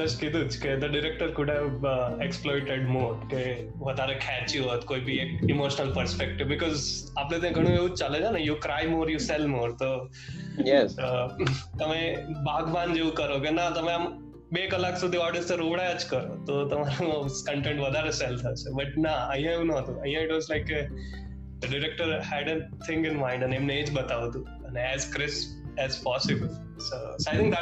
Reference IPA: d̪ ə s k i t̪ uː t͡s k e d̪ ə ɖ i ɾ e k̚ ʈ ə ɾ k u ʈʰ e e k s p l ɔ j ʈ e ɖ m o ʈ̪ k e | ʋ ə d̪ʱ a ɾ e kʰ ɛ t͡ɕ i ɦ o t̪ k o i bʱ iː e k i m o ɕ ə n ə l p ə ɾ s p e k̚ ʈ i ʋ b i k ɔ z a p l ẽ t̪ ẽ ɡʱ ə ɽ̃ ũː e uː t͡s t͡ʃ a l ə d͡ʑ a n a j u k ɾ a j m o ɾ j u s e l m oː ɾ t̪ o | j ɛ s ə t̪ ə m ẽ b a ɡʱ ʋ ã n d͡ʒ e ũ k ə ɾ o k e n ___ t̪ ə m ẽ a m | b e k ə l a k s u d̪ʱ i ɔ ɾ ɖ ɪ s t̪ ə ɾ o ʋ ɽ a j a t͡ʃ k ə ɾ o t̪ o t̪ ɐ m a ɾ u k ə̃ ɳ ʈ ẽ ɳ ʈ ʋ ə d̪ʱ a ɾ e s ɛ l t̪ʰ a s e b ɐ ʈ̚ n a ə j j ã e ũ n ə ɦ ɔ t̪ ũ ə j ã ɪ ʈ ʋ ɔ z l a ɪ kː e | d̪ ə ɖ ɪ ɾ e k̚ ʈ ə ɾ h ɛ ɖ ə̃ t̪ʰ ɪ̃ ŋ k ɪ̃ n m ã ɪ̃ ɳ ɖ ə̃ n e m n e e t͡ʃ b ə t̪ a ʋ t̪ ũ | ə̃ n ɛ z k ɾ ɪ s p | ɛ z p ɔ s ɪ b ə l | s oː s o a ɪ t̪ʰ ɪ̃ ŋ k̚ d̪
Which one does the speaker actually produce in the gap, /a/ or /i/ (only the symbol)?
a